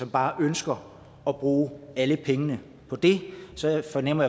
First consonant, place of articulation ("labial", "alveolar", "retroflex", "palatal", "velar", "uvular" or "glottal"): labial